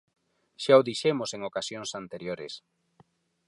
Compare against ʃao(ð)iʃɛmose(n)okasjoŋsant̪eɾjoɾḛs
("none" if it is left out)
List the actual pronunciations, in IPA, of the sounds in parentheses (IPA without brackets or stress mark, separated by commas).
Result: ð, ŋ